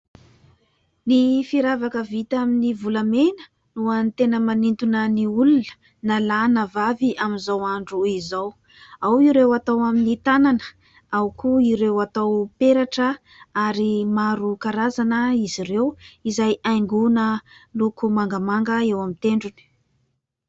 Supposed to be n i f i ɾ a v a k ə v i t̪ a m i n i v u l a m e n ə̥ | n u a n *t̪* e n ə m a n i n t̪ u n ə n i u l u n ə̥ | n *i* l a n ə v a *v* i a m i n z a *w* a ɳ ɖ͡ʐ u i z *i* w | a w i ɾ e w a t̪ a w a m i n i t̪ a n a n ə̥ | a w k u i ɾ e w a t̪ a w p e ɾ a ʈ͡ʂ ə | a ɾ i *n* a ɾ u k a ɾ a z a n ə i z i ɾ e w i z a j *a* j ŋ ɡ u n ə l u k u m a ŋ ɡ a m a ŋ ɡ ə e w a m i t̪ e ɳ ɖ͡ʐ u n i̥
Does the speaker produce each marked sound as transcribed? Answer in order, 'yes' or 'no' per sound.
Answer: yes, no, yes, yes, no, no, yes

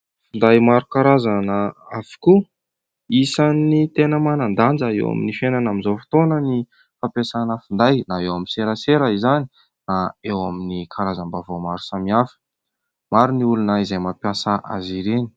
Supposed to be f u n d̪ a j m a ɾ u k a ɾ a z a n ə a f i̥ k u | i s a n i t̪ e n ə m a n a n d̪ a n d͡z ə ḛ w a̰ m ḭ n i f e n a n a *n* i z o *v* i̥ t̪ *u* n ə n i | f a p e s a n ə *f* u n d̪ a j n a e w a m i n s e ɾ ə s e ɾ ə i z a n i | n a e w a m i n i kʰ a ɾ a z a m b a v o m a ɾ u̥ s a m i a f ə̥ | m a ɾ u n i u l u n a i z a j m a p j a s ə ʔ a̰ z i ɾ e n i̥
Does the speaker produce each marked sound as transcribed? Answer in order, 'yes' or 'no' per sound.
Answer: no, no, no, yes

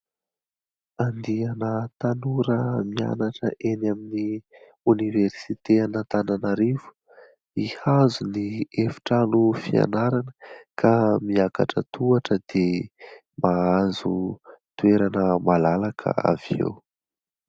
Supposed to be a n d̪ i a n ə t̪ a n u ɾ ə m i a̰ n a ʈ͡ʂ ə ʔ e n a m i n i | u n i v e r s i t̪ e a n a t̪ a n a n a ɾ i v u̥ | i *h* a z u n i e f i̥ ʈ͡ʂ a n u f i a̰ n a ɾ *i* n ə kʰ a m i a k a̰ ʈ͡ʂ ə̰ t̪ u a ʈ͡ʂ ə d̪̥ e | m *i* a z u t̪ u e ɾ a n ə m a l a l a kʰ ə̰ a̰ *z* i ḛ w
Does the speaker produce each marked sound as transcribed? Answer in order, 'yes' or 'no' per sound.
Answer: yes, no, no, no

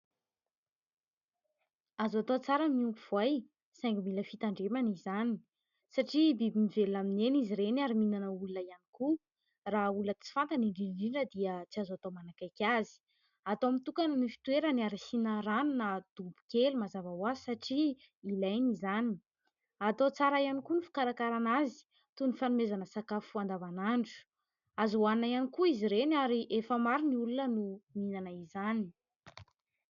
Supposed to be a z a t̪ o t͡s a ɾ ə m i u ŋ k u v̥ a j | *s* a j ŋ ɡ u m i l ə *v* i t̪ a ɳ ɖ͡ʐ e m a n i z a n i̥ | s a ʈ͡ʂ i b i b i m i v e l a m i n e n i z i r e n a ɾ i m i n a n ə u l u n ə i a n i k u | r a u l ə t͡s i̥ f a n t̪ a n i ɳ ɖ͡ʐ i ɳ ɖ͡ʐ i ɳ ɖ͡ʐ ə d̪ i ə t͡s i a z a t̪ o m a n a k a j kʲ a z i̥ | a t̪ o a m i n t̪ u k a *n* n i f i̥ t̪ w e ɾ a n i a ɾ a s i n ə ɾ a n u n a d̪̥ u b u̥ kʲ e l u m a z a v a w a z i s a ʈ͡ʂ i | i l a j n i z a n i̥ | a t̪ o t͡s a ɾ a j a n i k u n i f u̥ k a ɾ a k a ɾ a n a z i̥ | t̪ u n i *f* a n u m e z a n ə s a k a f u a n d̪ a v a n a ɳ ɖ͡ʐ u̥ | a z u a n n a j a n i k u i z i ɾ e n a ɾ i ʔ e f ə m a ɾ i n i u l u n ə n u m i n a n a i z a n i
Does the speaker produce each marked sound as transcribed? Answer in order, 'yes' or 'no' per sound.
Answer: yes, no, yes, yes

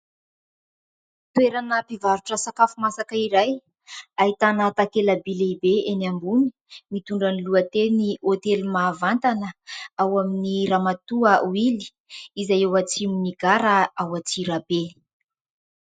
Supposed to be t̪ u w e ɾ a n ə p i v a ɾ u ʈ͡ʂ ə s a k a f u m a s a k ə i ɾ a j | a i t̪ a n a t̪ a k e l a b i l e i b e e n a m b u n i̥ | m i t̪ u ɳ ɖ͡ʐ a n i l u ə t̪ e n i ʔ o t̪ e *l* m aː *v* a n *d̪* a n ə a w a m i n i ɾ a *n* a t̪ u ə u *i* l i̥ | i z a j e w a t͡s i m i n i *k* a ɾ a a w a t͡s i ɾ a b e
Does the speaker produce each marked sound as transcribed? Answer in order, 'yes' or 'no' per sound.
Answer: yes, yes, no, no, yes, no

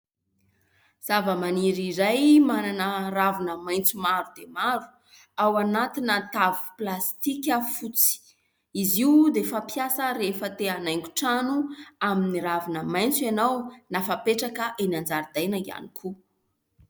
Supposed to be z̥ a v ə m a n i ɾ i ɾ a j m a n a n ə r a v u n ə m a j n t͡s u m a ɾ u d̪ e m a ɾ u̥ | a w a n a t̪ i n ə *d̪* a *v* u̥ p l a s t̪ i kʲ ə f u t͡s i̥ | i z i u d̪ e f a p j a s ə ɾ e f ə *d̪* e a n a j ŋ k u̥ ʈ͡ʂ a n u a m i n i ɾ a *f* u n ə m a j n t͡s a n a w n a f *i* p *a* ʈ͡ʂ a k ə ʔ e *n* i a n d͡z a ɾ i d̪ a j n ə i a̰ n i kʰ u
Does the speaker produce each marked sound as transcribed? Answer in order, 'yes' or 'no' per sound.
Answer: no, yes, no, no, no, no, yes

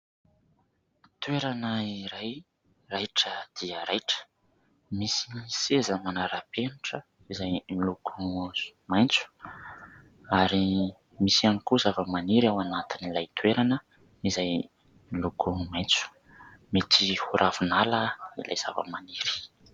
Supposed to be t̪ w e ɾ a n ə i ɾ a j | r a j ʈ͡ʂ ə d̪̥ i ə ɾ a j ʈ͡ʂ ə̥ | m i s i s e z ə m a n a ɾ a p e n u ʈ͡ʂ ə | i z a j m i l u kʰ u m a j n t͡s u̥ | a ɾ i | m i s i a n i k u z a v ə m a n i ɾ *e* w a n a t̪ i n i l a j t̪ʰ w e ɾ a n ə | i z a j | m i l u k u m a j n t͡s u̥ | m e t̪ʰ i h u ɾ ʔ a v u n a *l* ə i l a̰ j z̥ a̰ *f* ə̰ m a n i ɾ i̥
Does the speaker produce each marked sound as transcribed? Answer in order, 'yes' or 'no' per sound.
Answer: no, yes, no

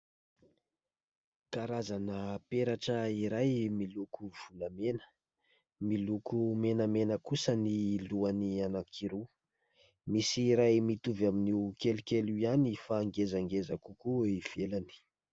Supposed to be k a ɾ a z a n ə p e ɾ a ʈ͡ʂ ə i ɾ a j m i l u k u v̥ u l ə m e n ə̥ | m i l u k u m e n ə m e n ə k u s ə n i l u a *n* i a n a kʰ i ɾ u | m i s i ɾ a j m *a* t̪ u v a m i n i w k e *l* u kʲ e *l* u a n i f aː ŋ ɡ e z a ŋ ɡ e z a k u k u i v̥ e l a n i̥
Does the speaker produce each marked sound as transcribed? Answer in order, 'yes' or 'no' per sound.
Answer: yes, no, yes, yes

